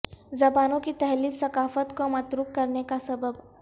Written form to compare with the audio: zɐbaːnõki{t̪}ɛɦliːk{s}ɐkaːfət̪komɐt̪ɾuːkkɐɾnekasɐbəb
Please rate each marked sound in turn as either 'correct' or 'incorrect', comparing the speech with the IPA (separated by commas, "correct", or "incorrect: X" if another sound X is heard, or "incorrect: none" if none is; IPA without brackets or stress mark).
correct, correct